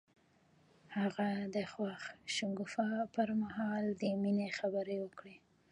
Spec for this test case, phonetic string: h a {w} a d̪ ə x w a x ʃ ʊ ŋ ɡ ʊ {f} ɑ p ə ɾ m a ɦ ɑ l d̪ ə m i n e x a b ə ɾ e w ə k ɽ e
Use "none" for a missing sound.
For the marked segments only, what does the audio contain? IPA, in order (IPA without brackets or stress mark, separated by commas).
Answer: ɣ, f